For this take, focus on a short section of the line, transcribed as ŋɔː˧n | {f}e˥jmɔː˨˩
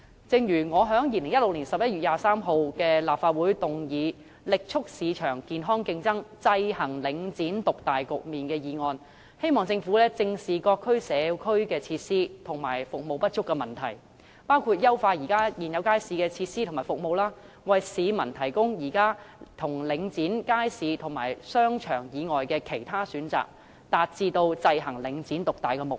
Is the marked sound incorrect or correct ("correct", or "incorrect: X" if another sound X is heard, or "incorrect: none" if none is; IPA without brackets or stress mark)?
incorrect: h